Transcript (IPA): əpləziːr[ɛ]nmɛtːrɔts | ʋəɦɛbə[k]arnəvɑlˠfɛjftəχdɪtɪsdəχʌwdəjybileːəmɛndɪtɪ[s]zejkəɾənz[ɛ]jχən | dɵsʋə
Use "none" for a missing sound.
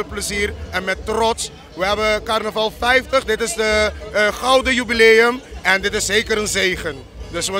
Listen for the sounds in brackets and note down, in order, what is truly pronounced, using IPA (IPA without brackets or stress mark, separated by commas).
ɛ, k, s, e